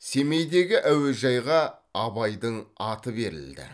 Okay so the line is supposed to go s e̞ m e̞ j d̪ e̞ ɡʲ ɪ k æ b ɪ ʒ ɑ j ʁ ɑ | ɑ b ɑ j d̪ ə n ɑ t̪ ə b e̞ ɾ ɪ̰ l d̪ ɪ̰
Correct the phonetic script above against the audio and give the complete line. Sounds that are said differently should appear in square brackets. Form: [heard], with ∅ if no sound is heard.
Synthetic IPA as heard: s e̞ m e̞ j d̪ e̞ ɡʲ ɪ [ʔ] æ [w] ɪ ʒ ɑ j ʁ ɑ | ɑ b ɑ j d̪ ə [ɴ] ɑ t̪ ə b e̞ ɾ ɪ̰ l d̪ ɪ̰